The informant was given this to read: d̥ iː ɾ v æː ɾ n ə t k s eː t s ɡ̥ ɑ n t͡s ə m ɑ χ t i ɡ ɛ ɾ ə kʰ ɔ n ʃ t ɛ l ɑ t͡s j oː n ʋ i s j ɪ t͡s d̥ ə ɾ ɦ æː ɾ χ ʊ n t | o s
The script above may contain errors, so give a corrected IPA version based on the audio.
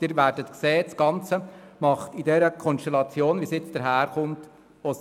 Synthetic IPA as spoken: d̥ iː ɾ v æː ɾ d ə t k s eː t s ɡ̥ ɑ n t͡s ə m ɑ χ t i d ɛ ɾ ə kʰ ɔ n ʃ t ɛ l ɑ t͡s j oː n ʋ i s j ɪ t͡s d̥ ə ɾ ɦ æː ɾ χ ʊ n t | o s